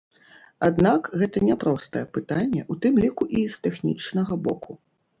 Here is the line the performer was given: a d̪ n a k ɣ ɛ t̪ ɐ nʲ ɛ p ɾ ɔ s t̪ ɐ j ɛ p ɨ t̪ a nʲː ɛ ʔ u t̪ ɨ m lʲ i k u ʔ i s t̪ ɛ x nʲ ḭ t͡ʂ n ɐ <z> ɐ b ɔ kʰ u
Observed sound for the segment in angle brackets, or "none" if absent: ɣ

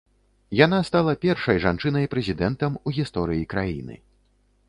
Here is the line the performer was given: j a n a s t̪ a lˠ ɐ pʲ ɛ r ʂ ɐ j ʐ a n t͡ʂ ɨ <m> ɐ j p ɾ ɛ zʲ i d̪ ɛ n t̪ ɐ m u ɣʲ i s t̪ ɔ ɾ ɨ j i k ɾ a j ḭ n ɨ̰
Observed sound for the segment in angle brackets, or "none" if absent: n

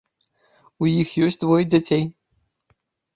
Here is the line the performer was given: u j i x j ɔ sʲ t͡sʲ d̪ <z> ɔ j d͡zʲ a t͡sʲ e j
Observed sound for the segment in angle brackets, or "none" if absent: v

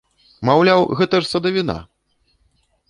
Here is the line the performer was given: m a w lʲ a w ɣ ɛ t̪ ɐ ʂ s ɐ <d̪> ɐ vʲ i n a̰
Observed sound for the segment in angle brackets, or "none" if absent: d̪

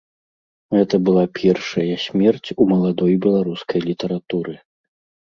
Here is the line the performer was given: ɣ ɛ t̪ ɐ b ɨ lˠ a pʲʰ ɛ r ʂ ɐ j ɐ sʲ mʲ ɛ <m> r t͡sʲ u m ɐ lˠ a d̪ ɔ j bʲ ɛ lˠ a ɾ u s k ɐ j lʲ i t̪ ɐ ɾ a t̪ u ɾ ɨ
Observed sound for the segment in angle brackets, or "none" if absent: none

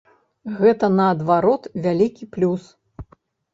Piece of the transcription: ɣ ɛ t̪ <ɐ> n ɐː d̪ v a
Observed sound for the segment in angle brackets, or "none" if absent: ɐ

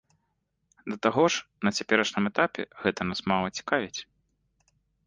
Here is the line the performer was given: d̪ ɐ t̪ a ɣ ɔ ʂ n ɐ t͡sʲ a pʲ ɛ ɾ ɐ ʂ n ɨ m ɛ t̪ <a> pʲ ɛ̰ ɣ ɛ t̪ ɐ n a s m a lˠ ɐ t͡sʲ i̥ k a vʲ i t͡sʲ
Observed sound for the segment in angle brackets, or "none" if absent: a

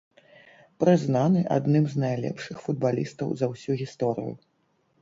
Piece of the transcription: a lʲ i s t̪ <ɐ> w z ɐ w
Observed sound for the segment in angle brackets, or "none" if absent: ɐ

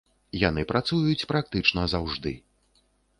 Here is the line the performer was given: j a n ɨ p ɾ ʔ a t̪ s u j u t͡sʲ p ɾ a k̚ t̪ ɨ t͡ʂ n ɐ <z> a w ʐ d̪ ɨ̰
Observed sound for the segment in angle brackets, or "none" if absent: z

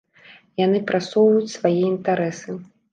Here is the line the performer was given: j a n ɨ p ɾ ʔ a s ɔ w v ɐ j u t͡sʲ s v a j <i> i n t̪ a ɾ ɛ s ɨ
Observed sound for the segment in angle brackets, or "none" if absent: ɛ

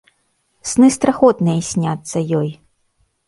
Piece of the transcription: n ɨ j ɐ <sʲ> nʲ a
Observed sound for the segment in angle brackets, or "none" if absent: sʲ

